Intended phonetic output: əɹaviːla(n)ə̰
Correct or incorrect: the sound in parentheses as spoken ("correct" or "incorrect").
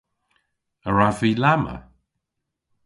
incorrect